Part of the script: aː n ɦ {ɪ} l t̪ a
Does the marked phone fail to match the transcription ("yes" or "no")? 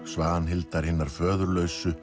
no